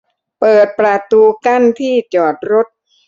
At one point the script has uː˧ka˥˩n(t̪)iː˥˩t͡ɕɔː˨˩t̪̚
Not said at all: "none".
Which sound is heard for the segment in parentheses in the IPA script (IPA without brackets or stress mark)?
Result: t̪ʰ